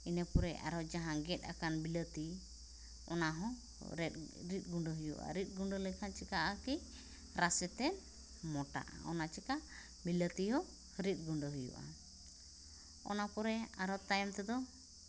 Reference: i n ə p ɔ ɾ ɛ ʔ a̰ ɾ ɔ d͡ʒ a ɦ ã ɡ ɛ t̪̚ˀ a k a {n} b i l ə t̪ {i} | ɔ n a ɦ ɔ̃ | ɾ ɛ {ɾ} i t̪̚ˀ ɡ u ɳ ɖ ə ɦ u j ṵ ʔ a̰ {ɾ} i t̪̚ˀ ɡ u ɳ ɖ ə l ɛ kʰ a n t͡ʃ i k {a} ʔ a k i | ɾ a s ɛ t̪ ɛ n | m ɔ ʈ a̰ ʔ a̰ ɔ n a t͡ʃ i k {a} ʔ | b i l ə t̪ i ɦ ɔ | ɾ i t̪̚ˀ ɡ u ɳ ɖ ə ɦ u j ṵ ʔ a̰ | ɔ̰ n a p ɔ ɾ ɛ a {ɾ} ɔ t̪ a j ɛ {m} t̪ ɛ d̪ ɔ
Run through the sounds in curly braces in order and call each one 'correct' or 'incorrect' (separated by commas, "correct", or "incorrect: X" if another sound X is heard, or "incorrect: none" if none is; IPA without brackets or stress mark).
correct, correct, correct, correct, correct, correct, correct, correct